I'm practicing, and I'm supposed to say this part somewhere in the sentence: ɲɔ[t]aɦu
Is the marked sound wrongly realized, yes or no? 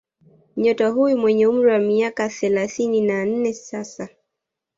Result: no